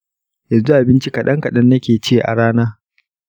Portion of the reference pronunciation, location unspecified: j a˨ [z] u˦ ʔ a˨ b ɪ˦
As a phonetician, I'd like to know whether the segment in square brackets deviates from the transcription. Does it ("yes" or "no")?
no